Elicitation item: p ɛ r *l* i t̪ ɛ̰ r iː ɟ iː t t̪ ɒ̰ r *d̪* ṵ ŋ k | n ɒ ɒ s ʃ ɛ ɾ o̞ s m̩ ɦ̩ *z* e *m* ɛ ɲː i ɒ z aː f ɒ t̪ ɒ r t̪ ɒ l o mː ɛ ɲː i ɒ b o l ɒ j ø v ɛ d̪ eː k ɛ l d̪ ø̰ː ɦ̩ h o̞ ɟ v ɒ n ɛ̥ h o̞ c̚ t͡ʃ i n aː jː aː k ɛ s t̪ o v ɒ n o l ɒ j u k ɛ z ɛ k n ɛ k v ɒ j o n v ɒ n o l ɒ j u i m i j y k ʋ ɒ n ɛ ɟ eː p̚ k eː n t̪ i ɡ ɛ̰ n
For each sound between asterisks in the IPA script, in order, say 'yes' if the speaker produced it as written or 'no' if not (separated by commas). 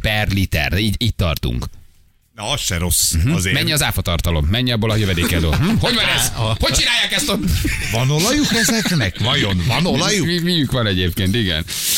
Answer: yes, no, yes, yes